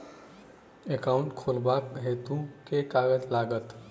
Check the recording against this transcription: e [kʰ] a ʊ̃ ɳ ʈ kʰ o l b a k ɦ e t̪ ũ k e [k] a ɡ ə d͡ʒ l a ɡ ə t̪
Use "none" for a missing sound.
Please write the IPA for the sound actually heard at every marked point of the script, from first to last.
k, k

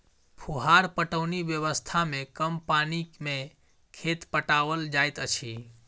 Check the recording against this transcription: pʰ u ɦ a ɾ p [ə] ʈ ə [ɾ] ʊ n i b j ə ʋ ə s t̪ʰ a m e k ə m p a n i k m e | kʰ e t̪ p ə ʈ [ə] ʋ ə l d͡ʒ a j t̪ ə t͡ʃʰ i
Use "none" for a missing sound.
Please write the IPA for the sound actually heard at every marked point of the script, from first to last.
ə, none, a

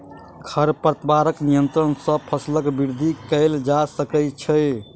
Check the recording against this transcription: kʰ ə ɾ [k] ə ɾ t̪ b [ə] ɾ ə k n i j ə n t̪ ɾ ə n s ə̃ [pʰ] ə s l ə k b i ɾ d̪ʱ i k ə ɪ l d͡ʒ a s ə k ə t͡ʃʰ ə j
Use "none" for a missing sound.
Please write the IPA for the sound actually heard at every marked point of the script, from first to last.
p, a, pʰ

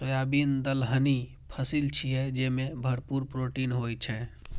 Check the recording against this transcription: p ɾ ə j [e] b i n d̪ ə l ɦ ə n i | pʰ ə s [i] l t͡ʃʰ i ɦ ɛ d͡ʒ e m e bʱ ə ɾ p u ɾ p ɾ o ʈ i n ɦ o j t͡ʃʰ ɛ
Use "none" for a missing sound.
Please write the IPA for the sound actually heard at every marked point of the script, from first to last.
a, i

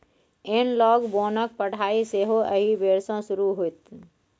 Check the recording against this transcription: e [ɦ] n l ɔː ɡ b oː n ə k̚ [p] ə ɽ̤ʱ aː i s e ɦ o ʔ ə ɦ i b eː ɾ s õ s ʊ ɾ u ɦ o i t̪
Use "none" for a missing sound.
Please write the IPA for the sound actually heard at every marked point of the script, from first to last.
none, p

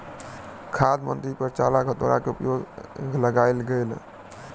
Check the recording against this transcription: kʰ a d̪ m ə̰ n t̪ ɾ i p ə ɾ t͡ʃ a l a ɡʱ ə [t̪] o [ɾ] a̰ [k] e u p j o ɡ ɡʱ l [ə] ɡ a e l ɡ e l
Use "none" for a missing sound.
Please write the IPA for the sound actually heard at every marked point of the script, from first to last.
t̪, ɾ, k, ə

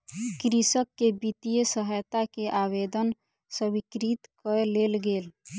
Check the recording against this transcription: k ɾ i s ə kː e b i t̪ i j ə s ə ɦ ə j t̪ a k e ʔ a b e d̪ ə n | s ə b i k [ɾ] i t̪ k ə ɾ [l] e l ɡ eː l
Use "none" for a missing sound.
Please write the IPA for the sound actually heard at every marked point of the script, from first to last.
ɾ, l

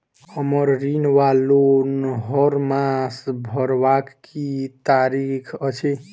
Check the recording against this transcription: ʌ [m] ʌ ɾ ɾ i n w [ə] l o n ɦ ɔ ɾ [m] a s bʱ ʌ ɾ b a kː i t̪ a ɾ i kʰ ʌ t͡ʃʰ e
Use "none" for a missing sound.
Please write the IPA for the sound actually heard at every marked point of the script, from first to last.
m, a, m

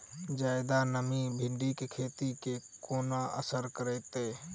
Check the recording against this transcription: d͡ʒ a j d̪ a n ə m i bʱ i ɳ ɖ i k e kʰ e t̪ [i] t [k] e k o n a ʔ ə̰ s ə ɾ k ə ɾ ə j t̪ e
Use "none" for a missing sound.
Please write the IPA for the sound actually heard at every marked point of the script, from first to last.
i, k

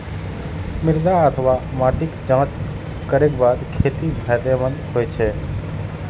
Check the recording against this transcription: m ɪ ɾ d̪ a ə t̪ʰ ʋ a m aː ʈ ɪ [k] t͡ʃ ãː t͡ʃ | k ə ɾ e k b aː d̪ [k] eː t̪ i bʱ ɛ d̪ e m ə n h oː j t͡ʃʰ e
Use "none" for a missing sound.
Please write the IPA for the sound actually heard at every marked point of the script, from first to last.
k, kʰ

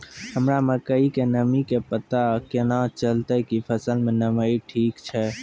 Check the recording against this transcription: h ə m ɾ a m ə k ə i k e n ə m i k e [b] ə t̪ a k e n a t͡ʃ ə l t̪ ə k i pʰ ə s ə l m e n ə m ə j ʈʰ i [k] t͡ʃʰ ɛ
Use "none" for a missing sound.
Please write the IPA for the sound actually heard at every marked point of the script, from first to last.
p, k

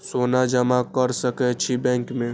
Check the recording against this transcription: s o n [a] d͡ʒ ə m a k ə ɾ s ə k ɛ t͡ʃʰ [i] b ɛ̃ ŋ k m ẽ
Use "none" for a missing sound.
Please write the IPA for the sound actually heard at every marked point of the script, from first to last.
a, i

